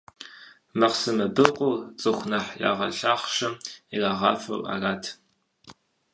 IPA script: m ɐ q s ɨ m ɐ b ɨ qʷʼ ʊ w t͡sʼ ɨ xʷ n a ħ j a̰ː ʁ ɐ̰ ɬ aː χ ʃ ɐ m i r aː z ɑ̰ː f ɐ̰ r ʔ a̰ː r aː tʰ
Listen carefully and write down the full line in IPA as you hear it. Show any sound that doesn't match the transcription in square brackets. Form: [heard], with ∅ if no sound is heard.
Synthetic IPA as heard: m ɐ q s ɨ m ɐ b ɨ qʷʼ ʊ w t͡sʼ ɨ xʷ n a ħ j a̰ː ʁ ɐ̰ ɬ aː χ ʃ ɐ m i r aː [ʁ] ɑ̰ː f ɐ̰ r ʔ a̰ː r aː tʰ